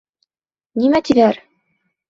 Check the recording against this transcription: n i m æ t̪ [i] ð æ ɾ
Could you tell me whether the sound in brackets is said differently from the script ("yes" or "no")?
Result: no